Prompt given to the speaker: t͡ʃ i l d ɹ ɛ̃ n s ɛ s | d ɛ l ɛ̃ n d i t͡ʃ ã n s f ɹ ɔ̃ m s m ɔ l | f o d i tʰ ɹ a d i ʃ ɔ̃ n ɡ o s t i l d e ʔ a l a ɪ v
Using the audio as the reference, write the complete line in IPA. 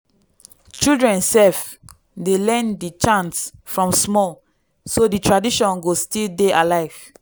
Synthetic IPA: t͡ʃ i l d ɹ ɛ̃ n s ɛ f | d e l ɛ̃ n d i t͡ʃ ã n s f ɹ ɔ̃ m s m ɔ l | s o d i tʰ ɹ a d i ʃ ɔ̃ n ɡ o s t i l d e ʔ a l a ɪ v